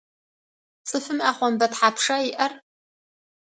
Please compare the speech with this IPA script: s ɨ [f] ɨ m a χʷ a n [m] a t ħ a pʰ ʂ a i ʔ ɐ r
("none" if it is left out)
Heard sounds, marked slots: f, b

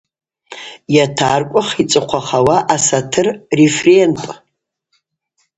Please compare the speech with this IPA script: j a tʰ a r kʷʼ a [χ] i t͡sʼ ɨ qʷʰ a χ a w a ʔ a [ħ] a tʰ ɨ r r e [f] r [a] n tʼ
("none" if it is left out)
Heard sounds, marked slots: χ, s, f, e

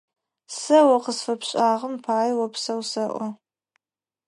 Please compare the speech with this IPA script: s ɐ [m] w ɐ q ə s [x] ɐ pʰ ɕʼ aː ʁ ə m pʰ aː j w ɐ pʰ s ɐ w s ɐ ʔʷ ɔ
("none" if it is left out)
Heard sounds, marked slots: none, f

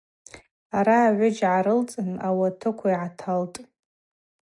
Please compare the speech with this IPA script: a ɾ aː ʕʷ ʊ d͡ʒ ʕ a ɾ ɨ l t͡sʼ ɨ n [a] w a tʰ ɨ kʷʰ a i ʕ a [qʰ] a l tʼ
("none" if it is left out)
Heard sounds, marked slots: a, tʰ

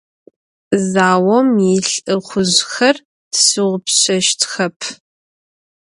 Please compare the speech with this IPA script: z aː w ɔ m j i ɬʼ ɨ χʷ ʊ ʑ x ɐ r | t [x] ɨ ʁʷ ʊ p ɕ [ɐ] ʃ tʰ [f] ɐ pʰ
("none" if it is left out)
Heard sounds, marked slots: s, ɐ, x

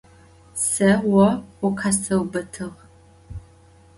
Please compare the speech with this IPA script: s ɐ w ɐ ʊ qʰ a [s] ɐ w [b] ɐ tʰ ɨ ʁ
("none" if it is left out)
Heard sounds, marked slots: s, b

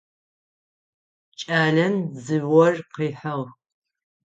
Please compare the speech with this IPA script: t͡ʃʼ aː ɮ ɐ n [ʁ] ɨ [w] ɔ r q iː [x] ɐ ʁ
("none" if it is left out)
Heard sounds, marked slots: z, w, ħ

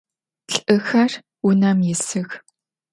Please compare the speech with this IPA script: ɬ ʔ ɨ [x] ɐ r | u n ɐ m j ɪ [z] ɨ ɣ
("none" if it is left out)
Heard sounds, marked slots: x, s

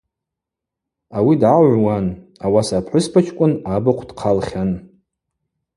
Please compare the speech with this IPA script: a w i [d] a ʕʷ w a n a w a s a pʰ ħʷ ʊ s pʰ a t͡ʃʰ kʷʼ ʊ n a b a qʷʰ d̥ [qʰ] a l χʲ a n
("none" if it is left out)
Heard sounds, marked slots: d, qʰ

